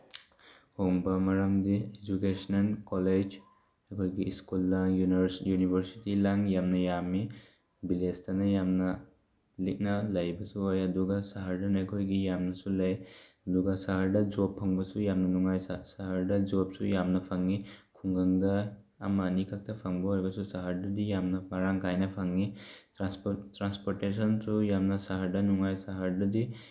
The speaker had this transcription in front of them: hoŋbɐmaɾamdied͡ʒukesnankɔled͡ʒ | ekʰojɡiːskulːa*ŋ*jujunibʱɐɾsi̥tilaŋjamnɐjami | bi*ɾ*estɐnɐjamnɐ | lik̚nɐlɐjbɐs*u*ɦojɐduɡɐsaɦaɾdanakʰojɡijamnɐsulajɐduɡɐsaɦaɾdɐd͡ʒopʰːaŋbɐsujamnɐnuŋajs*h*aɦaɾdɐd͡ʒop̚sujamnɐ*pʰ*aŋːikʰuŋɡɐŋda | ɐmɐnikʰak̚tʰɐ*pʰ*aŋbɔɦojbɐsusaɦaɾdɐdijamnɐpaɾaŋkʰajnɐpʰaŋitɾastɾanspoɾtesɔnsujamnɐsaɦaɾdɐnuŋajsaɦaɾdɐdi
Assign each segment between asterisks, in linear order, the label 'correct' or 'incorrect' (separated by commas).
correct, incorrect, correct, incorrect, correct, correct